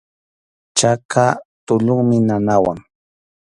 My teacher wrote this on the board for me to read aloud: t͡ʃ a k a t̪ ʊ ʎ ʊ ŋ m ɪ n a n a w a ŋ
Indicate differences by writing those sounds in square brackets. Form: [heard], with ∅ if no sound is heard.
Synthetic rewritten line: t͡ʃ a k a t̪ ʊ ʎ ʊ ŋ m ɪ n a n a w a ŋ